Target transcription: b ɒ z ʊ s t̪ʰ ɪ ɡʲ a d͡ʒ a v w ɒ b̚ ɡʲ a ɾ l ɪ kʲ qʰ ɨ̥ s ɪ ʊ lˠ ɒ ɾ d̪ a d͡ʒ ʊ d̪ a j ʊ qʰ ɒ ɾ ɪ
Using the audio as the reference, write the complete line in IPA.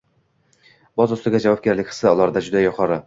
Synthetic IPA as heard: b ɒ z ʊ s t̪ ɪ ɡʲ a d͡ʒ a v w ɒ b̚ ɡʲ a ɾ l ɪ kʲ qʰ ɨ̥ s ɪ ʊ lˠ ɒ ɾ d̪ a d͡ʒ ʊ d̪ a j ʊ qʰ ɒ ɾ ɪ